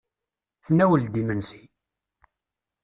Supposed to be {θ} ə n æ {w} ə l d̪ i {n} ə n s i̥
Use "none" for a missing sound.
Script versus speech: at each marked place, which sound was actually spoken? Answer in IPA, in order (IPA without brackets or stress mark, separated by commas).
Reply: θ, w, m